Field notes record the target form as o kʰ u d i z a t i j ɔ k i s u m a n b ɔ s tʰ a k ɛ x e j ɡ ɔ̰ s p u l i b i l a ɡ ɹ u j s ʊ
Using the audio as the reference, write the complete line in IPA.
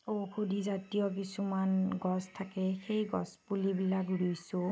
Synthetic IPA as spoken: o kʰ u d i z a t i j ɔ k i s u m a n ɡ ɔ s tʰ a k ɛ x e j ɡ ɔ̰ s p u l i b i l a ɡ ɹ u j s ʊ